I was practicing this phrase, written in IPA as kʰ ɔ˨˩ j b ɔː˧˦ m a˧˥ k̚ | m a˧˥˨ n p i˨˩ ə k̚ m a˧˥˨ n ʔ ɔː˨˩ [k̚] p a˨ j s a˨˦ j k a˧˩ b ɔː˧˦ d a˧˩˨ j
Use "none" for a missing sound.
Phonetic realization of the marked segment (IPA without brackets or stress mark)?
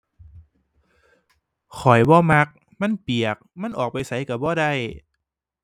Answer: k̚